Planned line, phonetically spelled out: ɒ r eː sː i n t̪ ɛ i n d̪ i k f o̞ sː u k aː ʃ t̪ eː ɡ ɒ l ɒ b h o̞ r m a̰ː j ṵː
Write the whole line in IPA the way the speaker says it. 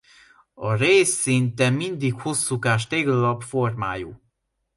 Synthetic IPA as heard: ɒ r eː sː i n t̪ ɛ i n d̪ i k h o̞ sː u k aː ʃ t̪ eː ɡ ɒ l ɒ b f o̞ r m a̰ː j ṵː